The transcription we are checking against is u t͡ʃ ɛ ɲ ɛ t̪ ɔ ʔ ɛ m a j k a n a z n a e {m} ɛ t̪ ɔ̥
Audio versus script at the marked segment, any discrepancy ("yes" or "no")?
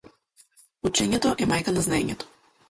yes